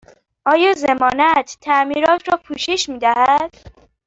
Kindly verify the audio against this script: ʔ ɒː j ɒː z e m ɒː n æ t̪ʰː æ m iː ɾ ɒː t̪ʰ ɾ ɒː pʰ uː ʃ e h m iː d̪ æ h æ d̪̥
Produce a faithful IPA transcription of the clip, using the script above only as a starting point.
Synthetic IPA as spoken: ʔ ɒː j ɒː z e m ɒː n æ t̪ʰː æ m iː ɾ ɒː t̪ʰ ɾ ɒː pʰ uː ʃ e ʃ m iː d̪ æ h æ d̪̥

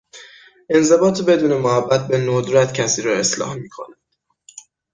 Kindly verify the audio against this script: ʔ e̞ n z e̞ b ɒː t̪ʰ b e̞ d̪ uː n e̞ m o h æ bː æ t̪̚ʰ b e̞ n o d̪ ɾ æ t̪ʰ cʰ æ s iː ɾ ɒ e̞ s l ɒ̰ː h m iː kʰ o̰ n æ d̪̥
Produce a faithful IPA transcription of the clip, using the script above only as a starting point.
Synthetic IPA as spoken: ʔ e̞ n z e̞ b ɒː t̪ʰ b e̞ d̪ uː n e̞ m o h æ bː æ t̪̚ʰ b e̞ n o d̪ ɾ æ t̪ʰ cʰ æ s iː ɾ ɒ e̞ s l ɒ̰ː h m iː kʰ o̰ n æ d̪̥

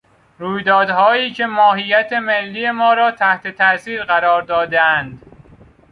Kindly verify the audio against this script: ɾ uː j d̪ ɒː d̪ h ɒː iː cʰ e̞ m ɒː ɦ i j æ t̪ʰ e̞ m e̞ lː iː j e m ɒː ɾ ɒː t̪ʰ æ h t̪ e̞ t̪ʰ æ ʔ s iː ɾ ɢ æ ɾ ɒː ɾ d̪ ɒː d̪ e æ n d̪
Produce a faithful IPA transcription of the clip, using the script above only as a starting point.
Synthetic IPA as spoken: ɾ uː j d̪ ɒː d̪ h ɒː iː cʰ e̞ m ɒː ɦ i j æ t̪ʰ e̞ m e̞ lː iː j e m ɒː ɾ ɒː t̪ʰ æ h t̪ e̞ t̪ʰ æ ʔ s iː ɾ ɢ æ ɾ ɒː ɾ d̪ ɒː d̪ e æ n d̪

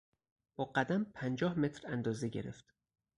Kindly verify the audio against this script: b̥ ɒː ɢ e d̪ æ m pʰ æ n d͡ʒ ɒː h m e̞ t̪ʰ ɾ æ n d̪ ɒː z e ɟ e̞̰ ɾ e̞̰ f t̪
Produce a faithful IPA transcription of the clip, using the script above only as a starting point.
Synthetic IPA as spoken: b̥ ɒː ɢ æ d̪ æ m pʰ æ n d͡ʒ ɒː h m e̞ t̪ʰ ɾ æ n d̪ ɒː z e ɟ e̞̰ ɾ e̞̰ f t̪

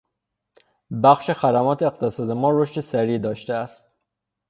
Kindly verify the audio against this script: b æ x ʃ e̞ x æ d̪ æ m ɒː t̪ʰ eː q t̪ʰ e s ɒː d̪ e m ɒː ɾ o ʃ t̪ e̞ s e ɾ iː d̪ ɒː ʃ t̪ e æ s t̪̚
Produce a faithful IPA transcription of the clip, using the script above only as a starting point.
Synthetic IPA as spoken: b æ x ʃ e̞ x æ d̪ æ m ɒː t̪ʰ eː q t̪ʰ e s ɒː d̪ e m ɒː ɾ o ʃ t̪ e̞ s æ ɾ iː d̪ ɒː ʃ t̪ e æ s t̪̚

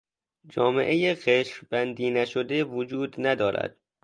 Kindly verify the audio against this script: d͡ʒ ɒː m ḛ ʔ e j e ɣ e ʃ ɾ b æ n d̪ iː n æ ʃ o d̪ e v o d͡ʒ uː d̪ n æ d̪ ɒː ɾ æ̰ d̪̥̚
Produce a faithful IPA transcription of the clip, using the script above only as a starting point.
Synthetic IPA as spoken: d͡ʒ ɒː m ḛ ʔ e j e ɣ e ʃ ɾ b æ n d̪ iː n æ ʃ o d̪ e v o d͡ʒ uː d̪ n æ d̪ ɒː ɾ æ̰ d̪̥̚

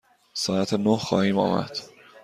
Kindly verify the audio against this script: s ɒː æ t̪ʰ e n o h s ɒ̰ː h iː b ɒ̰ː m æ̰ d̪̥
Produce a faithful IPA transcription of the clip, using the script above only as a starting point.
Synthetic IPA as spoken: s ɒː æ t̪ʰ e n o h x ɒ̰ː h iː m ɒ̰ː m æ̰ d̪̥

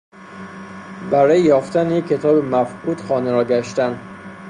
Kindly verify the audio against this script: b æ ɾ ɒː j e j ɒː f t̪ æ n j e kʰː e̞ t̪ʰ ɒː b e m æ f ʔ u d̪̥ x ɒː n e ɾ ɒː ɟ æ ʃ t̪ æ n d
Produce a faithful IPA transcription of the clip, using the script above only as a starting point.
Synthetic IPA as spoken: b æ ɾ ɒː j e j ɒː f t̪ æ n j e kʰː e̞ t̪ʰ ɒː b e m æ f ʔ u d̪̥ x ɒː n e ɾ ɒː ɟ æ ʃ t̪ æ n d

